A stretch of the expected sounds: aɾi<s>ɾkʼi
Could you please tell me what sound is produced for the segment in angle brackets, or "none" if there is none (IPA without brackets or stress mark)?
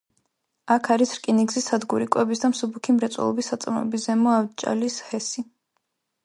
s